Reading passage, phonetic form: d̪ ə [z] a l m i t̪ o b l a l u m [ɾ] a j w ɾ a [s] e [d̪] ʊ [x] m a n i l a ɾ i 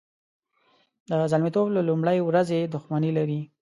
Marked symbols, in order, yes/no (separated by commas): yes, no, no, yes, yes